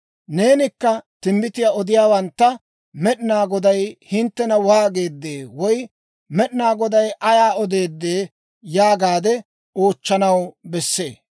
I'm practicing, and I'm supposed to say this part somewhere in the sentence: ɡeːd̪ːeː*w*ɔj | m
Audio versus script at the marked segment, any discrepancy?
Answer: no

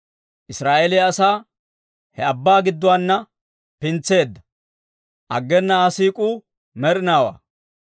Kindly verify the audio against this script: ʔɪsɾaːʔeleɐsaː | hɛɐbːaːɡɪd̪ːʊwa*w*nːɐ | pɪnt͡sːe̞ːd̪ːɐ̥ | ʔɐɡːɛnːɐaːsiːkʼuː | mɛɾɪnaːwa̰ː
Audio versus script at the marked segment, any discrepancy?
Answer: yes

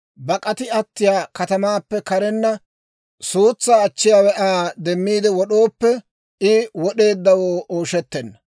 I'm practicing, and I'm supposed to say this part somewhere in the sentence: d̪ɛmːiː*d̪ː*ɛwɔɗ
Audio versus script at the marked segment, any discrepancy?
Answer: yes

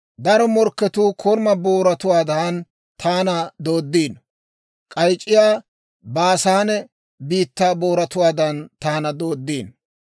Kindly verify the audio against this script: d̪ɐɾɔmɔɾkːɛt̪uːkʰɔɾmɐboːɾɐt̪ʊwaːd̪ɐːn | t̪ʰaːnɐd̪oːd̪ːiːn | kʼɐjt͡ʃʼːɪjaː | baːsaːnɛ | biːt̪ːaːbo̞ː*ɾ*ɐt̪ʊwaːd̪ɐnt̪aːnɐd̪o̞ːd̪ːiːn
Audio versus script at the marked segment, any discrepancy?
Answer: no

